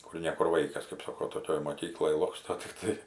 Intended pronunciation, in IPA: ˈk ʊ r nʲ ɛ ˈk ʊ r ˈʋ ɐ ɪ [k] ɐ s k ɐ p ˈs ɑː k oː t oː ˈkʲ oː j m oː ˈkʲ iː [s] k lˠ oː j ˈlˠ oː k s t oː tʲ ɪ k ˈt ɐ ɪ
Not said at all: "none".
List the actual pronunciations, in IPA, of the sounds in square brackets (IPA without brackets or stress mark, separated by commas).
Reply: k, none